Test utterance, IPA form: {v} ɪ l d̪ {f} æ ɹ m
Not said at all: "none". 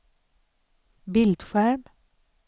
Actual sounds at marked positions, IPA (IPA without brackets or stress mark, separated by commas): b, f